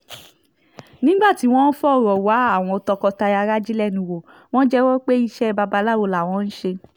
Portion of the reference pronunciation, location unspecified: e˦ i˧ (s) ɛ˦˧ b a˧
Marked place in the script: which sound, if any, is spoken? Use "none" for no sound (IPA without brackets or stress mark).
ʃ